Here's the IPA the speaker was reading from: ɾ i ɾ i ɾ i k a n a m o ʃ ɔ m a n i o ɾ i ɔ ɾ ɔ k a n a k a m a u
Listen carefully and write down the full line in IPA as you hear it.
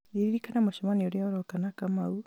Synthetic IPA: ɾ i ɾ i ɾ i k a n a m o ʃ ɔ m a n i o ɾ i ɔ ɾ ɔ k a n a k a m a u